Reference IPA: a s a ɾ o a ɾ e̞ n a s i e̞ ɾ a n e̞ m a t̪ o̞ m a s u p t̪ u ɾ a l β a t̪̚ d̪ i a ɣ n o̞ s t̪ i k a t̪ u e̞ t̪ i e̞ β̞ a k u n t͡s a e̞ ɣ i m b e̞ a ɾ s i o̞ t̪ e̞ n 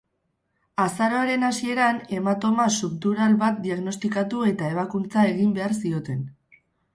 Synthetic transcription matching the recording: a s a ɾ o a ɾ e̞ n a s i e̞ ɾ a n e̞ m a t̪ o̞ m a s u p t̪ u ɾ a l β a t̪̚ d̪ i a ɣ n o̞ s t̪ i k a t̪ u e̞ t̪ a e̞ β̞ a k u n t͡s a e̞ ɣ i m b e̞ a ɾ s i o̞ t̪ e̞ n